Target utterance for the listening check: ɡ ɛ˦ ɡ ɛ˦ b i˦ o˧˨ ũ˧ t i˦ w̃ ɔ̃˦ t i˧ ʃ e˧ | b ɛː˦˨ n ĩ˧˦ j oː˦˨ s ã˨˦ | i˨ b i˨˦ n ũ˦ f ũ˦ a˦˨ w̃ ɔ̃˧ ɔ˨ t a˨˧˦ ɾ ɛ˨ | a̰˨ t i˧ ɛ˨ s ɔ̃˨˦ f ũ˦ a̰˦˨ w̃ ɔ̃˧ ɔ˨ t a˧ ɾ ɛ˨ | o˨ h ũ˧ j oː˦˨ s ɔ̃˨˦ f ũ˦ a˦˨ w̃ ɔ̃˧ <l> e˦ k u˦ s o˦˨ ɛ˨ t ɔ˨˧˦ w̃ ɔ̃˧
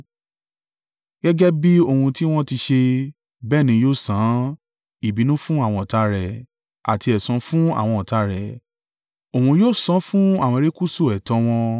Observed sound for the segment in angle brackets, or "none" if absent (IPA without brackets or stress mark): ɾ